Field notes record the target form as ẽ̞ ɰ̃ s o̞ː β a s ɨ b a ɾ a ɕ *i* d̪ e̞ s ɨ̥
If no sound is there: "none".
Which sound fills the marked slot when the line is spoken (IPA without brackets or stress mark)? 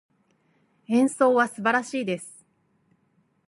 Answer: iː